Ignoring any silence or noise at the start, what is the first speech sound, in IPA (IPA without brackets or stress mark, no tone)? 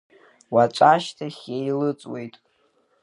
w